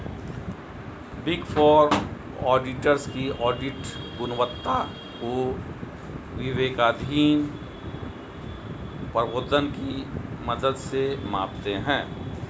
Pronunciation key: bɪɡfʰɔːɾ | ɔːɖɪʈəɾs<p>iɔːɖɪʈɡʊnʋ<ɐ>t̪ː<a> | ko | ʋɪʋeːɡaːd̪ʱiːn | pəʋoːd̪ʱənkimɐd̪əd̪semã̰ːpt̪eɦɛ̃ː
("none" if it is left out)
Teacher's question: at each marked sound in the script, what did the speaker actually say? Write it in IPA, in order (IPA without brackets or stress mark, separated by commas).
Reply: k, ə, a